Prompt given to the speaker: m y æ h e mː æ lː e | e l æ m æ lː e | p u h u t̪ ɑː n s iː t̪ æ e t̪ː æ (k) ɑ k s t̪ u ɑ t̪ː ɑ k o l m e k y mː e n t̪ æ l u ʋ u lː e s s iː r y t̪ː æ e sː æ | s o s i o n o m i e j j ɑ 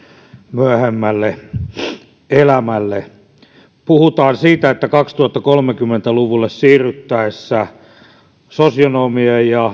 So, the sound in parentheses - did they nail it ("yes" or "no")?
yes